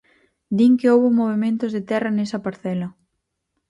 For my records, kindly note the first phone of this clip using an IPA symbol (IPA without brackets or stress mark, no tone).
d̪